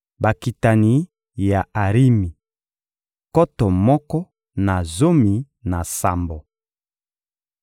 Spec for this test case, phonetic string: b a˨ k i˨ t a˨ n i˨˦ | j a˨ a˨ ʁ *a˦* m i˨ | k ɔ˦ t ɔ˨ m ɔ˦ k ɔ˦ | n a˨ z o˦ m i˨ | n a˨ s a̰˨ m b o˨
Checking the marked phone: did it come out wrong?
yes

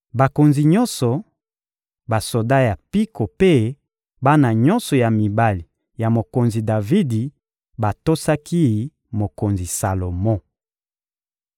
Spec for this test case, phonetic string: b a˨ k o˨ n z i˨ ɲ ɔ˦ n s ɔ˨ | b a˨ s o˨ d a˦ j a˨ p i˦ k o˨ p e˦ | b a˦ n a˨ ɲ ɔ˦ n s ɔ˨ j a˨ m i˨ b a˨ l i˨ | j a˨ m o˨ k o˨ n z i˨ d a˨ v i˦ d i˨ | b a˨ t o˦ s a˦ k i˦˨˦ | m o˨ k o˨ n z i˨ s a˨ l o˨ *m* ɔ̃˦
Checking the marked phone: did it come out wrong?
no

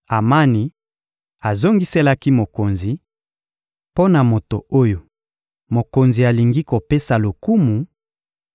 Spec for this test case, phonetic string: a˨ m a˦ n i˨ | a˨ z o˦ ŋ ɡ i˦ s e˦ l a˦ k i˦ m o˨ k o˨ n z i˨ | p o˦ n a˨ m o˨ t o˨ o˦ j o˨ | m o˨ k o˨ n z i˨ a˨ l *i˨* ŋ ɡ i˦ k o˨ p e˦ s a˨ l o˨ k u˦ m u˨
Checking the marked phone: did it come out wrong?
no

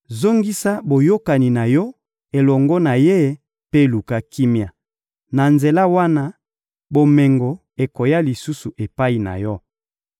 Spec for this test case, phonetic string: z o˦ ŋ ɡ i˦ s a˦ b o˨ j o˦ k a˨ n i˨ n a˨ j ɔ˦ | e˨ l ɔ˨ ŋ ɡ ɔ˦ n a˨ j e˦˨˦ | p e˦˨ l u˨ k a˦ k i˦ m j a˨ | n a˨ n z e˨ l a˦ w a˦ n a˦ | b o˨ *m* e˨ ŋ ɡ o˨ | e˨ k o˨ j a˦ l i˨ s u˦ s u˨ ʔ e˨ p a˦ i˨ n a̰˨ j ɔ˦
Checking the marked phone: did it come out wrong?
no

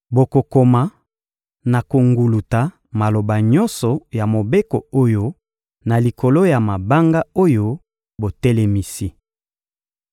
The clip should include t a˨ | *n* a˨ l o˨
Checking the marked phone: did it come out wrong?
yes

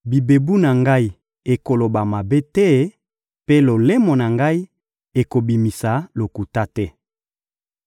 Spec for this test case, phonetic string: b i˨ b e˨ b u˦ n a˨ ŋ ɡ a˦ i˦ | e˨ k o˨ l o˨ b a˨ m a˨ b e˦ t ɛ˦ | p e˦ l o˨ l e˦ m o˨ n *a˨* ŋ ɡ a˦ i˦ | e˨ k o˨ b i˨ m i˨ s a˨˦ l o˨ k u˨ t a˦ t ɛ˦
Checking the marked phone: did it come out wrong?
no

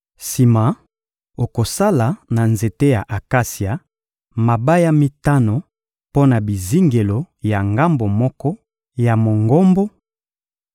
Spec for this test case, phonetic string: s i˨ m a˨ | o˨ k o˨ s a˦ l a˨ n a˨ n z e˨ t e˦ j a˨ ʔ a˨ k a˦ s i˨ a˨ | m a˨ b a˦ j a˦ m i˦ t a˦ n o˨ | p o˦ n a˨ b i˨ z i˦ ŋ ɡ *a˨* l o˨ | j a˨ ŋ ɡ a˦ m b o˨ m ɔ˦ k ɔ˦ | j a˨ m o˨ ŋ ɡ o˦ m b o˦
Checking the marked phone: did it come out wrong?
yes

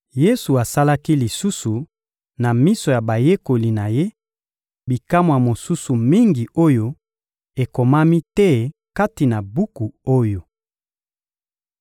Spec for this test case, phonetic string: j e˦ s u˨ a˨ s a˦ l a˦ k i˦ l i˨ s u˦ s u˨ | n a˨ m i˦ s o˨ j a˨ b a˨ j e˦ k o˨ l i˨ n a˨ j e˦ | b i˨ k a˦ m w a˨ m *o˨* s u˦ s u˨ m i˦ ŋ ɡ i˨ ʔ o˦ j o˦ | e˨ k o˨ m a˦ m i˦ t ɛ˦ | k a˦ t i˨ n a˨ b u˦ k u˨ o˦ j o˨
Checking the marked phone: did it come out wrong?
no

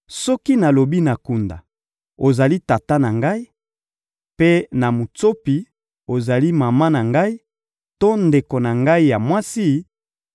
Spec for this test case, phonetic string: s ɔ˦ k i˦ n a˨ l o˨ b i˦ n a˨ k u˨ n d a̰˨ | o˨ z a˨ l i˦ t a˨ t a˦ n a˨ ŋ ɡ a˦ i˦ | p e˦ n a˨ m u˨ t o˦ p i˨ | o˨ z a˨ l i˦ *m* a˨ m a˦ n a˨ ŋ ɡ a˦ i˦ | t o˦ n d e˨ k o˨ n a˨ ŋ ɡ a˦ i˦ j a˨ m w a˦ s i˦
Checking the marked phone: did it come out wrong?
no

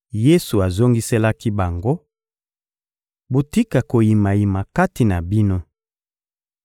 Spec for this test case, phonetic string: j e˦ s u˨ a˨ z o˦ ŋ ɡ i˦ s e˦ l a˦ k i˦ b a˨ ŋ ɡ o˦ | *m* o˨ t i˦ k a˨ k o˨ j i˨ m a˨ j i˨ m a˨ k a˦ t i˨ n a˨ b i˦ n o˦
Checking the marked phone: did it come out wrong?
yes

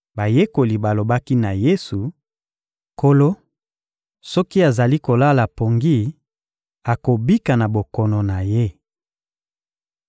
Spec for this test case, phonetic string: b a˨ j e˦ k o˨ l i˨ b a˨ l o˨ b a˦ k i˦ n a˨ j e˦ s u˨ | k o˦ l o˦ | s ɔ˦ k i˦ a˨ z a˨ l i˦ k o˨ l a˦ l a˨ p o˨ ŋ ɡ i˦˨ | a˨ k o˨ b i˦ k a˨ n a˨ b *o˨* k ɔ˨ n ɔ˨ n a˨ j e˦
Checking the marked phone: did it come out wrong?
no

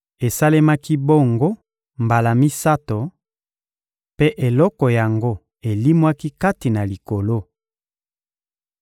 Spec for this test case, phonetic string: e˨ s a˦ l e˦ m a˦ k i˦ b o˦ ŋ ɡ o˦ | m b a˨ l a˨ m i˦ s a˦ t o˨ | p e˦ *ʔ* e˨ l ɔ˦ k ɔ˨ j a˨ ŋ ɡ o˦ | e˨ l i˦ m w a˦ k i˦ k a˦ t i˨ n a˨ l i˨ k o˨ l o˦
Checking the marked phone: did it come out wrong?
no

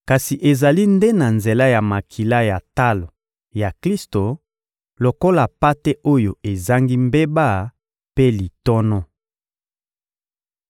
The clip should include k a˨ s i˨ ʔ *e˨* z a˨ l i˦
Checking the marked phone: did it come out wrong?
no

